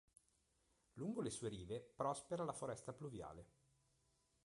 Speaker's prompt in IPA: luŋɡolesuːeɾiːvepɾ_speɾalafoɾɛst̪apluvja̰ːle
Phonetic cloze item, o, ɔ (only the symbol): ɔ